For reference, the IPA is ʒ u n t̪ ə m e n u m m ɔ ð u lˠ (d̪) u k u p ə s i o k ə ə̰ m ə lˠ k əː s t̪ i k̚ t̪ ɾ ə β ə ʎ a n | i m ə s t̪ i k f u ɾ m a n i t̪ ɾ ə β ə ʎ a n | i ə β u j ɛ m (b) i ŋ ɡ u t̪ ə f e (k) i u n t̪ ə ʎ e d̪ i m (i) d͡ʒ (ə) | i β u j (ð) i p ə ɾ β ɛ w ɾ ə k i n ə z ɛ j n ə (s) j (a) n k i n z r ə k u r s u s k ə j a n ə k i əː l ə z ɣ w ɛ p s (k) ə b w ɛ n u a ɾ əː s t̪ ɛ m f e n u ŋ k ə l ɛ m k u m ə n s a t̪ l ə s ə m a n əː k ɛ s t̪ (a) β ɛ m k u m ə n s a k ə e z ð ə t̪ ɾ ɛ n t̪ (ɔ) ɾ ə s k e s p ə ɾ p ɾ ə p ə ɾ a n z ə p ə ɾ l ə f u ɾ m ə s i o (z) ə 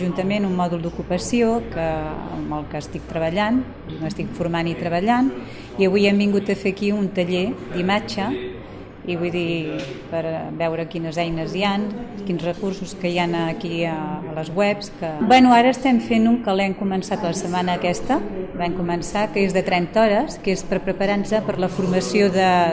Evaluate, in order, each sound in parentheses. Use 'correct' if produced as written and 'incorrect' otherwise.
correct, correct, correct, incorrect, correct, correct, incorrect, correct, correct, incorrect, correct, incorrect

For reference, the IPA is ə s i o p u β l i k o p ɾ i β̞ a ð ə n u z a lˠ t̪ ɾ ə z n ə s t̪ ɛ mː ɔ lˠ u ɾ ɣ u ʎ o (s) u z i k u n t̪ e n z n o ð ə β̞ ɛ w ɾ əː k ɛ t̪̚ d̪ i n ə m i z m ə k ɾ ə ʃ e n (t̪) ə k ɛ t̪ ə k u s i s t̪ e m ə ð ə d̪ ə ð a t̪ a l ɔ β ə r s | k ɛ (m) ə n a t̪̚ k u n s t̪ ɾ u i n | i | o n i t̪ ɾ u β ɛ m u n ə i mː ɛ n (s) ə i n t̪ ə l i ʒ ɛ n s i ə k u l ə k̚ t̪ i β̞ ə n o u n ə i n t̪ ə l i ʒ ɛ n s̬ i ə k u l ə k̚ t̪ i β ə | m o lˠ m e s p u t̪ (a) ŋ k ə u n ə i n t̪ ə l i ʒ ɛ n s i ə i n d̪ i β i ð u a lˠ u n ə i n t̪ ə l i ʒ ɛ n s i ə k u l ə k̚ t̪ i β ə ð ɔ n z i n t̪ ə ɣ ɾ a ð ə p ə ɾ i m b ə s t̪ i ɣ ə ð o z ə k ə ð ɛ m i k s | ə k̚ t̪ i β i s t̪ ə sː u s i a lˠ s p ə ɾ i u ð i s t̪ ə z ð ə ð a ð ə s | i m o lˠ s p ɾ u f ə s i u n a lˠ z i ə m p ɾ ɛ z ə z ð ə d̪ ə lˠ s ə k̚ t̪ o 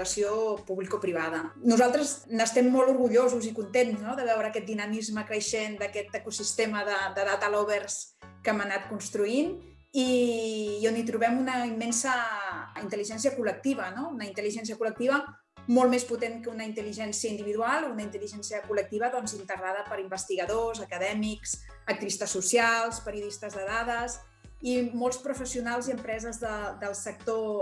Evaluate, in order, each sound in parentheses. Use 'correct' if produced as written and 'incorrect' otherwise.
incorrect, incorrect, correct, correct, incorrect

